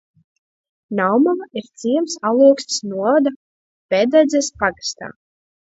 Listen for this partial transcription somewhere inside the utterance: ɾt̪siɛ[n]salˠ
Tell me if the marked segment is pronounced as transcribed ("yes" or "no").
no